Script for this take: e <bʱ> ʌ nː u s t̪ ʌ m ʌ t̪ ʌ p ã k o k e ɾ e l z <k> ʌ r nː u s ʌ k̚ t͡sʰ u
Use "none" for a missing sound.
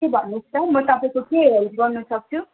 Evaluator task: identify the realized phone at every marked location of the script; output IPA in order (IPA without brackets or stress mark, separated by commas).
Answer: bʱ, ɡ